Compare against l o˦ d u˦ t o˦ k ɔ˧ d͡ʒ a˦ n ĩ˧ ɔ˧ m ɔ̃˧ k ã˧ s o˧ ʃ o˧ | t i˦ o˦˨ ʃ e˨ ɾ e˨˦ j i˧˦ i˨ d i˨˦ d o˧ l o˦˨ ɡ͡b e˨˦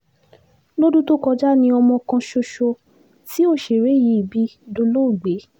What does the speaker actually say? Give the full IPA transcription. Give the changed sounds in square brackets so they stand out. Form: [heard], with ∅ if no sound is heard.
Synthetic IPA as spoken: l o˦ d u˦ t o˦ k ɔ˧ d͡ʒ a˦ n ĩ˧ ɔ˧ m ɔ̃˧ k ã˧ [ʃ] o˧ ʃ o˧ | t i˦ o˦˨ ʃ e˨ ɾ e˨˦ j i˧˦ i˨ [b] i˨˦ d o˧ l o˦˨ ɡ͡b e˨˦